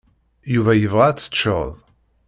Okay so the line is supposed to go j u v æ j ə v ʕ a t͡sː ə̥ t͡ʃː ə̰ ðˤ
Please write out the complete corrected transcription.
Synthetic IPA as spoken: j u v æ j ə v ʁ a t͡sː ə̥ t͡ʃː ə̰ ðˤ